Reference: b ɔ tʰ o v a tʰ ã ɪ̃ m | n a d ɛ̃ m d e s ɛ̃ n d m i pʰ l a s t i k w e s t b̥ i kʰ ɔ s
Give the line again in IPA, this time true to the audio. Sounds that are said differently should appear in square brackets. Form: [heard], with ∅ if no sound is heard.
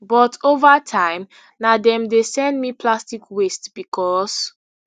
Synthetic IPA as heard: b ɔ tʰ o v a tʰ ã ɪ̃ m | n a d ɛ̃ m d e s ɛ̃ n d m i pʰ l a s t i k w e s t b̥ i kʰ ɔ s